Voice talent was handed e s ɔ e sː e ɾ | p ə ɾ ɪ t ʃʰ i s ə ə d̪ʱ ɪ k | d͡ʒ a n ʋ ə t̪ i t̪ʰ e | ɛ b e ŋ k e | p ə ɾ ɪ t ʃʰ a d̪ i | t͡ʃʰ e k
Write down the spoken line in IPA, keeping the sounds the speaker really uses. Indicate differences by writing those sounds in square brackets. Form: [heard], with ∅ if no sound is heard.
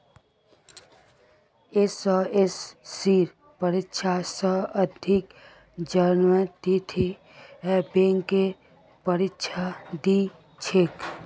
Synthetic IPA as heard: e s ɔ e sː [i] ɾ | p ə ɾ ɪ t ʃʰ [a] s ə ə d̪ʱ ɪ k | d͡ʒ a n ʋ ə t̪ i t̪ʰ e | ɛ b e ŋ k e | p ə ɾ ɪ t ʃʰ a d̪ i | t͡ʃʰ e k